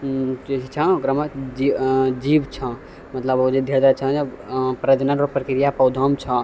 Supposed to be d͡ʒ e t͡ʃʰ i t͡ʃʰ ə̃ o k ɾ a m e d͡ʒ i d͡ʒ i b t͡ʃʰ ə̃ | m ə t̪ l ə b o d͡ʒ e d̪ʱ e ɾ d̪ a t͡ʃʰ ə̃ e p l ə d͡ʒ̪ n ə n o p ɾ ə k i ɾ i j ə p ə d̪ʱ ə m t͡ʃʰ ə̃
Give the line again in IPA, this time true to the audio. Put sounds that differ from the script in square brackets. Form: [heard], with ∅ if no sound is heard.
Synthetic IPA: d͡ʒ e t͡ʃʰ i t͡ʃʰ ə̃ o k ɾ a m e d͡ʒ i d͡ʒ i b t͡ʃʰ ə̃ | m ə t̪ l ə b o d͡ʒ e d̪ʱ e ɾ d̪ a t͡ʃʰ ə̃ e p [ɾ] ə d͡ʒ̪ n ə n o p ɾ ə k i ɾ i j [a] p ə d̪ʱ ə m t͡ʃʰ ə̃